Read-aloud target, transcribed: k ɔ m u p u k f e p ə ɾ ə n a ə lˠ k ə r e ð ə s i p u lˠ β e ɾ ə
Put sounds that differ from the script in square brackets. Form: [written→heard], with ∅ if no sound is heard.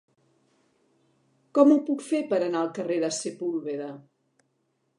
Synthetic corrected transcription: k ɔ m u p u k f e p ə ɾ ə n a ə lˠ k ə r e ð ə s [i→e] p u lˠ β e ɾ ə